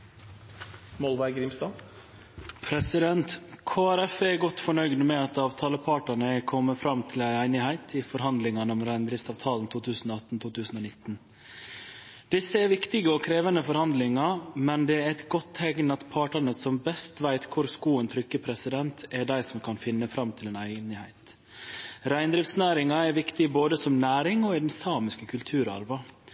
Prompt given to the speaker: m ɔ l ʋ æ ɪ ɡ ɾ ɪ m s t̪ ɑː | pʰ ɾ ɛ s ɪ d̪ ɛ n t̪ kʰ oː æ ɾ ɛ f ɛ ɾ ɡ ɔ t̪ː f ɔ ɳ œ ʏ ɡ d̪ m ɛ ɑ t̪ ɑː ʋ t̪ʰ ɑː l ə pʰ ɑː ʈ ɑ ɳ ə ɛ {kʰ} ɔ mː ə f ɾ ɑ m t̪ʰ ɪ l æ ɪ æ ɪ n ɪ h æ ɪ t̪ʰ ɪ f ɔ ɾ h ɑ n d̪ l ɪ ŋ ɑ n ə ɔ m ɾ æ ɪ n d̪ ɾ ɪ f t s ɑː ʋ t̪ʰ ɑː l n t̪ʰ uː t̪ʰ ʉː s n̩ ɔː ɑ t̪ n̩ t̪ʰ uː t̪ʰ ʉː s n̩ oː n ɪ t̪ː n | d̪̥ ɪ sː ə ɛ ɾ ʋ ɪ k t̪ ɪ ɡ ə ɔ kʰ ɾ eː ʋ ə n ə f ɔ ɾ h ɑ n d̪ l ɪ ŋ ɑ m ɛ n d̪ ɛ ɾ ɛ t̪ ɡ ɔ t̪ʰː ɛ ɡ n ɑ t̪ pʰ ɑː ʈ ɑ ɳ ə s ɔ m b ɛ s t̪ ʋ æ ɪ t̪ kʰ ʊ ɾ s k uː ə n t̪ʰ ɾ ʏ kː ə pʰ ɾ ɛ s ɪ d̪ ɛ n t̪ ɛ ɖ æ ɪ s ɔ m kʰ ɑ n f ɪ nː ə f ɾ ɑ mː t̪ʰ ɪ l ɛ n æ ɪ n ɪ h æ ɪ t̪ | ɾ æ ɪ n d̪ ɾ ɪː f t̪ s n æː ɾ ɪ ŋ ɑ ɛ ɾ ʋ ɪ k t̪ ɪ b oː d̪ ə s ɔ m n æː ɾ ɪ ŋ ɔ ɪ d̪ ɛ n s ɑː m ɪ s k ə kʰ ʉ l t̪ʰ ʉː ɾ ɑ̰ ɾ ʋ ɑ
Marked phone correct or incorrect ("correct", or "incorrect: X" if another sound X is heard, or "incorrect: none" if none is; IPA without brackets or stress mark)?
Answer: correct